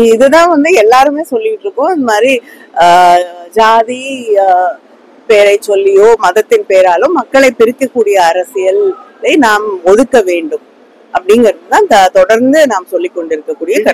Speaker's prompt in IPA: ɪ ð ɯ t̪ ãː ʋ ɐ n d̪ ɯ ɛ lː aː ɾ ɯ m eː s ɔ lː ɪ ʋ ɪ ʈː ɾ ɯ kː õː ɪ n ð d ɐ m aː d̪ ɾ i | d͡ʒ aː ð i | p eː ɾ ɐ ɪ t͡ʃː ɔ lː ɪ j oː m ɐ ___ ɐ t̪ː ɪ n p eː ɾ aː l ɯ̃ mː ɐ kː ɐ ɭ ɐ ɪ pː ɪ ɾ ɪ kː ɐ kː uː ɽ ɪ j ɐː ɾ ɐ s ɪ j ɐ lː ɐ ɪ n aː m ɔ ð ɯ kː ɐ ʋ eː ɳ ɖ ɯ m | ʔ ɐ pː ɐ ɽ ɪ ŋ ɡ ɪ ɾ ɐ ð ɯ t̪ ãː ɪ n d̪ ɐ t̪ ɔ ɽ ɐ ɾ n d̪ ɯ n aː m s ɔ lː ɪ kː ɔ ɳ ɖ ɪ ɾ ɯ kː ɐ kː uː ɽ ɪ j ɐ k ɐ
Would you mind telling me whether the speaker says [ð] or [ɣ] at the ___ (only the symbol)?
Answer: ð